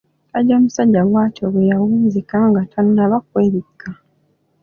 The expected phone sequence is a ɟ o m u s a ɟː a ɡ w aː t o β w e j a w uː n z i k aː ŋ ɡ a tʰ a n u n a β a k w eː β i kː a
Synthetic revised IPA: a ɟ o m u s a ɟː a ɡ w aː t o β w e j a w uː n z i k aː ŋ ɡ a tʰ a n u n a β a k w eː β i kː a